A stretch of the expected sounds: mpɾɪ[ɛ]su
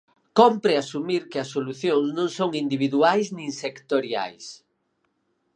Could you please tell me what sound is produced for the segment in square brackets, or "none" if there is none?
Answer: a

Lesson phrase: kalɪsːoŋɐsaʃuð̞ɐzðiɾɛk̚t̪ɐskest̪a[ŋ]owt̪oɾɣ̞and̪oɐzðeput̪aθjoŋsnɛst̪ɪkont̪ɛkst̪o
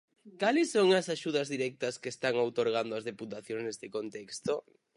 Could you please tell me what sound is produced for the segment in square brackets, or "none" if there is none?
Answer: ŋ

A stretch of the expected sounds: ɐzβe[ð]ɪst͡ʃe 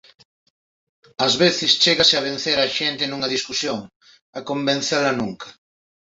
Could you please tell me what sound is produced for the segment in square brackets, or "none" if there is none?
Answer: θ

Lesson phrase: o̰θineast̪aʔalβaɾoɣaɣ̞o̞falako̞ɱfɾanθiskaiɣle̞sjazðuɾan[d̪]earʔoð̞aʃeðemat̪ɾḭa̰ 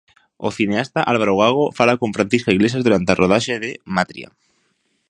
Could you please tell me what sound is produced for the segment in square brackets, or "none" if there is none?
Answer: t̪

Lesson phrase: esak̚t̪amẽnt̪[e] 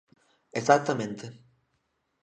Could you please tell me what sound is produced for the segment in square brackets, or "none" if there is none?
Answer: e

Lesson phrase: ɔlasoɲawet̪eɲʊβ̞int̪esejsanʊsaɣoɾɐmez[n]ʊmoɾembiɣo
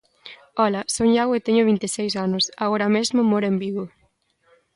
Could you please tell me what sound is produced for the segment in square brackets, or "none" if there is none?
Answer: m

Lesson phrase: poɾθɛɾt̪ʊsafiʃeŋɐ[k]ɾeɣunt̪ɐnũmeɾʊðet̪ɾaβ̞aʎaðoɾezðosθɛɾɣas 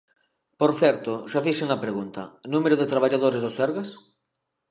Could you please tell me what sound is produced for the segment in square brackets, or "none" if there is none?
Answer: p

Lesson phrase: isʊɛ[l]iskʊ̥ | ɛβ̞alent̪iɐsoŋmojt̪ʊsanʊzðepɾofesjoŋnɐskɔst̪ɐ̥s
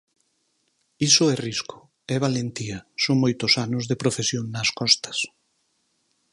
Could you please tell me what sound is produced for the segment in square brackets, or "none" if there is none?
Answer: r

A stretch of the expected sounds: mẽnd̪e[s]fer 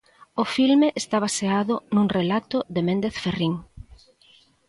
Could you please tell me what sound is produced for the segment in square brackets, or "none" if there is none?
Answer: θ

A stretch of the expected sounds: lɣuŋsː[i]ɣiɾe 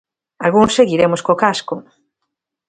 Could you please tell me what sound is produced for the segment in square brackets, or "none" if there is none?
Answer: e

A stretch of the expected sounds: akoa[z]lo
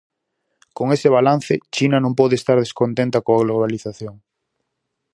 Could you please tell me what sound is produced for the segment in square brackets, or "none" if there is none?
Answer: ɣ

